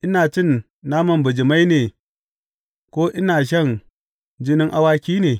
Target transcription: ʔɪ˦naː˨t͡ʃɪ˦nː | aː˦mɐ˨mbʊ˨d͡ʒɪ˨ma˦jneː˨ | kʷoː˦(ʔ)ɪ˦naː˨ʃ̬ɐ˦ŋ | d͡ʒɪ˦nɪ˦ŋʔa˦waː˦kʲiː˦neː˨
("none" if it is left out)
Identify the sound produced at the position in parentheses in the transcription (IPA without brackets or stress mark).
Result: ʔ